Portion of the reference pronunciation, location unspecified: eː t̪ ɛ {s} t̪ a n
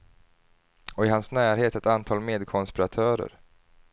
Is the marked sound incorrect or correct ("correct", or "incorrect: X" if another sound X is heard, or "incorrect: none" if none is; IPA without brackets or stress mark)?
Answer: incorrect: none